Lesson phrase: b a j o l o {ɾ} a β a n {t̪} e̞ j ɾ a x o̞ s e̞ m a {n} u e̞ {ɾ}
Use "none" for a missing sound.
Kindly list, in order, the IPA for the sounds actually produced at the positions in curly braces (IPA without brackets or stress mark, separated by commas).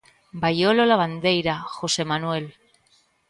l, d̪, n, l